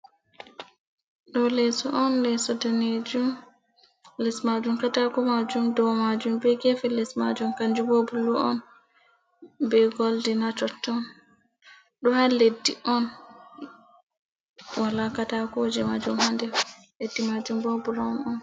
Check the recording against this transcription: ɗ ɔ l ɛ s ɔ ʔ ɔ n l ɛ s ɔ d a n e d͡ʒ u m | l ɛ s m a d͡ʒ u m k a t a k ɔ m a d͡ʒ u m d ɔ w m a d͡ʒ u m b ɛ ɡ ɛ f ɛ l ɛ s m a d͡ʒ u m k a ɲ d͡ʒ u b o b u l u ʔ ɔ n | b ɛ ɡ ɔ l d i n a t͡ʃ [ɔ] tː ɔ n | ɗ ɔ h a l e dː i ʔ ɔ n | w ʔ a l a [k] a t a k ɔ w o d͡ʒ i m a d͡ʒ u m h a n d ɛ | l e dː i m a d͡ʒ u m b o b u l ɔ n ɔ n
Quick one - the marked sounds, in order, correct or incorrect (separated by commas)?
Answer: correct, correct